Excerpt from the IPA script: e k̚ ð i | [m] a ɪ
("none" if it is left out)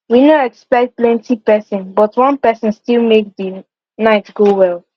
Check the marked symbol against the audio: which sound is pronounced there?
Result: n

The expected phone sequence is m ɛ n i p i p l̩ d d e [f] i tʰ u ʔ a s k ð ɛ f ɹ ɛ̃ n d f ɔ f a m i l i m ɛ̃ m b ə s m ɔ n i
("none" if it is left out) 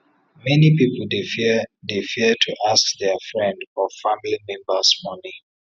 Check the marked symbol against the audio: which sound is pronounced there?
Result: f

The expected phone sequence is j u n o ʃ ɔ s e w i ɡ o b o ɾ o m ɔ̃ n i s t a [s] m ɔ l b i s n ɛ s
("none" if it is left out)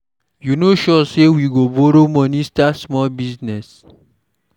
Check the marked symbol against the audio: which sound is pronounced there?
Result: s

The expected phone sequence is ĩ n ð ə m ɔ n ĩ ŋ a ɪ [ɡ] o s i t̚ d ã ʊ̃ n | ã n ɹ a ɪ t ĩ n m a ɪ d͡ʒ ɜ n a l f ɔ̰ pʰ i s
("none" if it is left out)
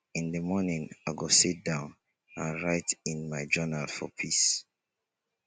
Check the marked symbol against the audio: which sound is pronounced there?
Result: ɡ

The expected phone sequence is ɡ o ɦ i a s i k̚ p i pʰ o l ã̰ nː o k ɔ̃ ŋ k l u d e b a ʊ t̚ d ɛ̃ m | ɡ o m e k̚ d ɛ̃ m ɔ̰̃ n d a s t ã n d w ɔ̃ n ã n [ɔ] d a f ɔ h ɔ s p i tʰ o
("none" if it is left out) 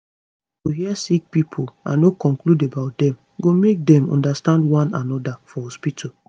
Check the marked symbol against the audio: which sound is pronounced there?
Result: ɔ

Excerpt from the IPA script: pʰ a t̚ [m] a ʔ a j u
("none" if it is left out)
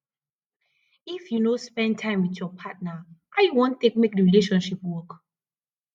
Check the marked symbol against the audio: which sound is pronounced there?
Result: n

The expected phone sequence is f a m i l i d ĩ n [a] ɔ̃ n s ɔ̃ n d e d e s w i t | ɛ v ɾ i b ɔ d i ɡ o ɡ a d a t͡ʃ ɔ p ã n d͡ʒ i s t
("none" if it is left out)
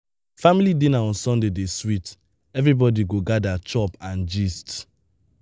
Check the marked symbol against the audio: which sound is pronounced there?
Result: a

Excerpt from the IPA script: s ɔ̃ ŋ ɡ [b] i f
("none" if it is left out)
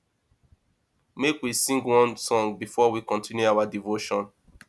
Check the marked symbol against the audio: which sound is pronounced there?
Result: b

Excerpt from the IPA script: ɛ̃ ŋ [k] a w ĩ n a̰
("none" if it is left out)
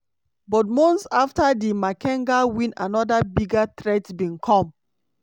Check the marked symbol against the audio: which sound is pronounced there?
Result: ɡ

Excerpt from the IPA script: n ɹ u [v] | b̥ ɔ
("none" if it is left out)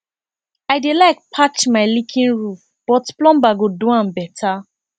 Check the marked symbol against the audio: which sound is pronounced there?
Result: f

